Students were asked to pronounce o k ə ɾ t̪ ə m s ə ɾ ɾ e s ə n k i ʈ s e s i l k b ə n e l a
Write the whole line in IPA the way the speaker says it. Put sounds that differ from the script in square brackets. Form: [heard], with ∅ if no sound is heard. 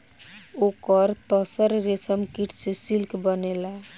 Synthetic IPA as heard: o k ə ɾ t̪ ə [∅] s ə ɾ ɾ e s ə [m] k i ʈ s e s i l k b ə n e l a